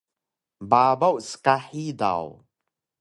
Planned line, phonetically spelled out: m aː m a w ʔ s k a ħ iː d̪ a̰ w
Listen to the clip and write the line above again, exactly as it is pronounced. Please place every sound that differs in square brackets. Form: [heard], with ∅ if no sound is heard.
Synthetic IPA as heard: [b] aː [b] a w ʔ s k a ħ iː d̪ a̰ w